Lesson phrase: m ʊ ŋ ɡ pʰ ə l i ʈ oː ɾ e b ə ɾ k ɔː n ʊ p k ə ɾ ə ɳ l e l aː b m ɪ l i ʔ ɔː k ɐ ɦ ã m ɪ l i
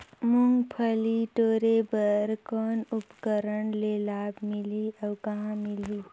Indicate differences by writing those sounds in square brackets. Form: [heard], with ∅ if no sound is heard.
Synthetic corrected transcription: m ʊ ŋ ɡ pʰ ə l i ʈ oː ɾ e b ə ɾ k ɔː n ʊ p k ə ɾ ə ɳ l e l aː b m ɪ l i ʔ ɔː k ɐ ɦ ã m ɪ l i